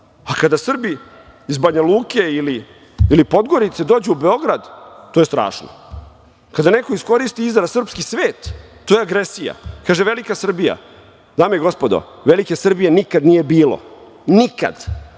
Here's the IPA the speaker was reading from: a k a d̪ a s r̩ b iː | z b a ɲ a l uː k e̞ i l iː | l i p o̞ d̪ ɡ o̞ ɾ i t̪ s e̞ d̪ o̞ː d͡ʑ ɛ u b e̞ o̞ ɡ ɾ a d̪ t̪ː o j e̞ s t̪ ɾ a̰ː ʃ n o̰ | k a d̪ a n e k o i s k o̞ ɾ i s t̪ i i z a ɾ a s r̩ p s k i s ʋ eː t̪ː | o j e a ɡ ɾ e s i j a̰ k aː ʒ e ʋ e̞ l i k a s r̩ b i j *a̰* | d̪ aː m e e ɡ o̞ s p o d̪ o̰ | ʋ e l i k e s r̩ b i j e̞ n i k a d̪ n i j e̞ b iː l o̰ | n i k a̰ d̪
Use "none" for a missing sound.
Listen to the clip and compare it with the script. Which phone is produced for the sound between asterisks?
a̰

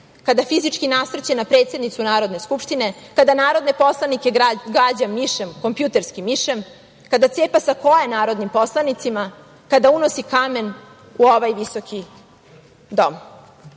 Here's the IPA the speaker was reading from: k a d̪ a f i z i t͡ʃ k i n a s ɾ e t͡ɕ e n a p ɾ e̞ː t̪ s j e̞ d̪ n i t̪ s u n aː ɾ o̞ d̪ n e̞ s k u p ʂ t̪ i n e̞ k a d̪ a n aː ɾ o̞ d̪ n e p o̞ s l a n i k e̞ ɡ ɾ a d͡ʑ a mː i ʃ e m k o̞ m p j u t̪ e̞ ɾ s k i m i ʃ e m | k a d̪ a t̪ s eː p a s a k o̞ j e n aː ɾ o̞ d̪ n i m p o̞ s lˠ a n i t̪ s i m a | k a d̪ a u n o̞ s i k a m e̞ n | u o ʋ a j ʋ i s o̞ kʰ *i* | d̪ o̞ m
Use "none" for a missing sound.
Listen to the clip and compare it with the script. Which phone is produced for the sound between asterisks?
i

